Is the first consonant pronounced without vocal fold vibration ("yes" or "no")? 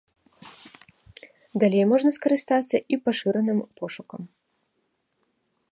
no